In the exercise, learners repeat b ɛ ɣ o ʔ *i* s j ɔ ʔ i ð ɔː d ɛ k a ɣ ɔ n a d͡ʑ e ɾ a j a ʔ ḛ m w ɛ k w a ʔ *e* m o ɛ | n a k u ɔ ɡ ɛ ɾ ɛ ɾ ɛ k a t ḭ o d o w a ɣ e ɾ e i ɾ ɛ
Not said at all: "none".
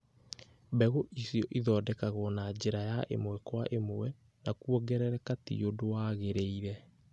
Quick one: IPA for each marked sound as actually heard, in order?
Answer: i, e

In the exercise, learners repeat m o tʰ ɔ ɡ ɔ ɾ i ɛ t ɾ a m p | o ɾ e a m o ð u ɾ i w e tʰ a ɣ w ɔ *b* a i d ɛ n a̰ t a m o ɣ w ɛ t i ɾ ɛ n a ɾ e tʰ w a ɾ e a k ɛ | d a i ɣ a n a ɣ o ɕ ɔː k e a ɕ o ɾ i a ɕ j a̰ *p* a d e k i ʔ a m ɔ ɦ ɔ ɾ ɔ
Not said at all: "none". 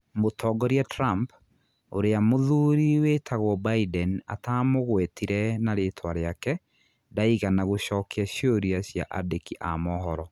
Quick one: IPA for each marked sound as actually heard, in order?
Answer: b, ʔ

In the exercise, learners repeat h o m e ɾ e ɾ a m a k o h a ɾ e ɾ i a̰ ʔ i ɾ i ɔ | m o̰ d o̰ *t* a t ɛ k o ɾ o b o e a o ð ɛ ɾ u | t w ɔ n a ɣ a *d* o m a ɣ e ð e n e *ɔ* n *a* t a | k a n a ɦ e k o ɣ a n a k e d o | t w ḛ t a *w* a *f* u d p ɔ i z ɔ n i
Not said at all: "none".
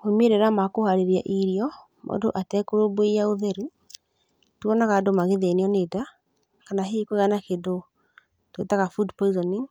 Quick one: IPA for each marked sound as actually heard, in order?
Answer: ʔ, d, ɔ, e, ɣ, f

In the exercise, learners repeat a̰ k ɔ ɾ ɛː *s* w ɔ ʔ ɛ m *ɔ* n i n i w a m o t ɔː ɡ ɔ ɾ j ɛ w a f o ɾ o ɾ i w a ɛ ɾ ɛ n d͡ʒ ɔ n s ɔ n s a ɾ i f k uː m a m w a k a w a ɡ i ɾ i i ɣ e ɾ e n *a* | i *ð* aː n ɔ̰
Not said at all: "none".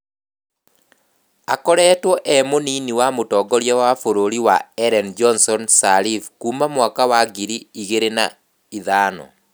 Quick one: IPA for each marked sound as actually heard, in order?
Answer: t, o, a, ð

